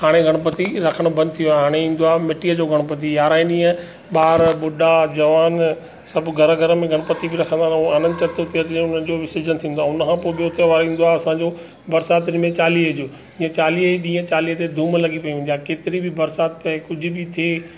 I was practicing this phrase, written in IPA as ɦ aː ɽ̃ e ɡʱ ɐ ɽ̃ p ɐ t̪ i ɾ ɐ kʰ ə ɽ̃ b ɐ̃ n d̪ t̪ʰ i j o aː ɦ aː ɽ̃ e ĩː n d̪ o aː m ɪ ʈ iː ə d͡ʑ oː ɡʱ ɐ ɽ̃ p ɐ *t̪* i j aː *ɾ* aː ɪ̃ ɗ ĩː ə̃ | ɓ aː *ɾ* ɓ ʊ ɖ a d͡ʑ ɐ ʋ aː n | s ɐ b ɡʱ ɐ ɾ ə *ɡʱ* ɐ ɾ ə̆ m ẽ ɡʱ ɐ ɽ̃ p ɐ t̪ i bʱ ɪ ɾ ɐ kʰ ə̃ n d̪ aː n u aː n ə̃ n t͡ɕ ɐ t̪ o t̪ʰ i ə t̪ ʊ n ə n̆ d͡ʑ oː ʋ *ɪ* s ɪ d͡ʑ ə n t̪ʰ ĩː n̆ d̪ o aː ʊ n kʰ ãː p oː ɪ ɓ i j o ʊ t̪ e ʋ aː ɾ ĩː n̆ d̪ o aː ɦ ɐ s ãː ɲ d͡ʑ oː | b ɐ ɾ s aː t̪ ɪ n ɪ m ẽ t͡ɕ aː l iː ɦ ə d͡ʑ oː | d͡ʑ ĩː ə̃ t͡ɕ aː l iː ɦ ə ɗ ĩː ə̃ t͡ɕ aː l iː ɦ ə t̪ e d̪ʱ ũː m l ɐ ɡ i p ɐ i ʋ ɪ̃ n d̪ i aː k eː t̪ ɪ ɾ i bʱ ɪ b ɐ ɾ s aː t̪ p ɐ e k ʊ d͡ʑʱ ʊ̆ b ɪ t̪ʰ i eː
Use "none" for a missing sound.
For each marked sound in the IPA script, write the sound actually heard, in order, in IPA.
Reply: t̪, ɾ, ɾ, ɡʱ, ɪ

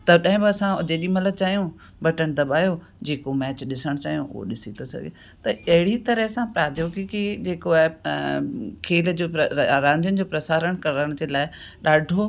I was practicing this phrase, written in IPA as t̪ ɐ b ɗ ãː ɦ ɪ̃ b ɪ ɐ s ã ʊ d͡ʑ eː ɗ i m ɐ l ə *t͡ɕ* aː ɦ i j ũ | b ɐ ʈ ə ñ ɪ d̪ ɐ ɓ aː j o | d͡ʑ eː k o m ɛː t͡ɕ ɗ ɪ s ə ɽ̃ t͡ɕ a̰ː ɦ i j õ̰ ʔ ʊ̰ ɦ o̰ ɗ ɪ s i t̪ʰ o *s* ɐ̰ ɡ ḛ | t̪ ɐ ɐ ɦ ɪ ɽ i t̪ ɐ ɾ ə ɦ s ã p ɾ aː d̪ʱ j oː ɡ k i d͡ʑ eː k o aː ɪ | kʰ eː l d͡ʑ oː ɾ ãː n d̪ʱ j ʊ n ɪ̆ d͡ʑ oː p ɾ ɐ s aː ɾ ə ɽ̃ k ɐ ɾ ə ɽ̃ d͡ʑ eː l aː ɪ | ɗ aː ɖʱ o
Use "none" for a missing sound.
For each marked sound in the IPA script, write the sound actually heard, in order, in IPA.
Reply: t͡ɕ, s

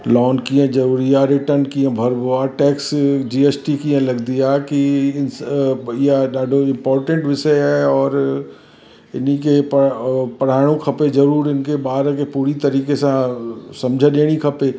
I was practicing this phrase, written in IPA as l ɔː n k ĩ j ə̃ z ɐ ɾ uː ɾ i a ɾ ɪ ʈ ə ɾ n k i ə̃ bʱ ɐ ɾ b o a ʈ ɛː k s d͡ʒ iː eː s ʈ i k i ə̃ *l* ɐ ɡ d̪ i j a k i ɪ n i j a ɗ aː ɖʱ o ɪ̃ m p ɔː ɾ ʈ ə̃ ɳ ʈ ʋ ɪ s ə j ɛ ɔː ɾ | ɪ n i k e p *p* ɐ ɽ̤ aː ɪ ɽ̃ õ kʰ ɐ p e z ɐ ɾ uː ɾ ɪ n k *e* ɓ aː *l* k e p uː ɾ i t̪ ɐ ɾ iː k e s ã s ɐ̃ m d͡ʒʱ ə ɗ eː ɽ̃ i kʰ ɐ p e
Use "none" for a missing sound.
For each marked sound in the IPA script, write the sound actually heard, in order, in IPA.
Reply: l, p, e, ɾ

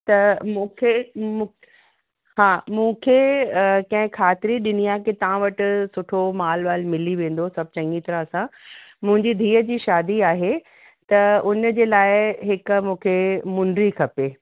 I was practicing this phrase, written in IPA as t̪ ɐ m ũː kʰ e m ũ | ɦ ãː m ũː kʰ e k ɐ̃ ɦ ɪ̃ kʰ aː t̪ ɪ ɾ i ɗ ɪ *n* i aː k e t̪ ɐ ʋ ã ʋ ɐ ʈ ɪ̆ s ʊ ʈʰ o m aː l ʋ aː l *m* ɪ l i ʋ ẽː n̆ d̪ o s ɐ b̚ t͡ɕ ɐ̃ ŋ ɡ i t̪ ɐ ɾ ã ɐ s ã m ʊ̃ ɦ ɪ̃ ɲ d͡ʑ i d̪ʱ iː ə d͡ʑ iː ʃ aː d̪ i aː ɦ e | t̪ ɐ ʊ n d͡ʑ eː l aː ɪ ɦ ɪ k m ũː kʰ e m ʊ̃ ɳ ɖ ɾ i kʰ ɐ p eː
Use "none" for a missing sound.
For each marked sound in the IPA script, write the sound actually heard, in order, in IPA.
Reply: n, m

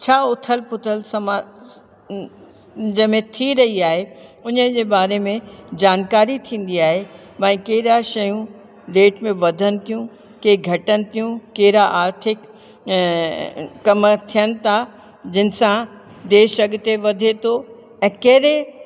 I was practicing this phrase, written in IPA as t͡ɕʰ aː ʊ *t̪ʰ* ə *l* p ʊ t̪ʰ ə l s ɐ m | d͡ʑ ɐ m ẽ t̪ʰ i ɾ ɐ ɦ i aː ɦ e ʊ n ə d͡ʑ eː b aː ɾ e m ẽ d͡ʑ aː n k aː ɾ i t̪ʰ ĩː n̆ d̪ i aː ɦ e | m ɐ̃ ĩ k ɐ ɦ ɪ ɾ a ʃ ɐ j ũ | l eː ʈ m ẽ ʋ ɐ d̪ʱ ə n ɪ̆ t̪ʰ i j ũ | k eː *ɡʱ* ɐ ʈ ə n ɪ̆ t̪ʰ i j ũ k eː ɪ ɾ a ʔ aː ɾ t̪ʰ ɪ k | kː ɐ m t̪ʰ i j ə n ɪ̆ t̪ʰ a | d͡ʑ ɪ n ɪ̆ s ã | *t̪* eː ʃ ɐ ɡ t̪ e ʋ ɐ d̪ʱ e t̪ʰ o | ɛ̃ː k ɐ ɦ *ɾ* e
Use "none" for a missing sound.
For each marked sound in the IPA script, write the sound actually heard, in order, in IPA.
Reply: t̪ʰ, l, ɡʱ, d̪, ɾ

